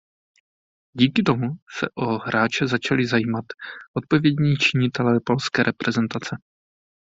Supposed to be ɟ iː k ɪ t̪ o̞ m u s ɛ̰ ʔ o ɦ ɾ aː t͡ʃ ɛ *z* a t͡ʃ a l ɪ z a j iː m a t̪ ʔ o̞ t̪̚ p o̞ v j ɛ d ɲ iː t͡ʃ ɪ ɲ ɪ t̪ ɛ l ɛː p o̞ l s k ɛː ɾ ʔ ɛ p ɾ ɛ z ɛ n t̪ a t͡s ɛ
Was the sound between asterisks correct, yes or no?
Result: yes